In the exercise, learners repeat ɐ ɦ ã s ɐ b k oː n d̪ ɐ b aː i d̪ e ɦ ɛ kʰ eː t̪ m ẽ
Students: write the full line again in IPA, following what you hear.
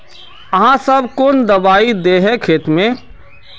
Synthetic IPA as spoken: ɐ ɦ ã s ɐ b k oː n d̪ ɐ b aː i d̪ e ɦ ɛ kʰ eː t̪ m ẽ